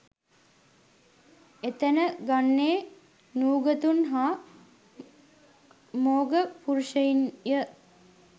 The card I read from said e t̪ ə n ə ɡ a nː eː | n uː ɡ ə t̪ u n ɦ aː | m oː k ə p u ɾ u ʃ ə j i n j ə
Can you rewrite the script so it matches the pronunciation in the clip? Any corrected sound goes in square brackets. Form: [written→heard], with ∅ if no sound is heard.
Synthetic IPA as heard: e t̪ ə n ə ɡ a nː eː | n uː ɡ ə t̪ u n ɦ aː | m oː [k→ɡ] ə p u ɾ u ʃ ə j i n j ə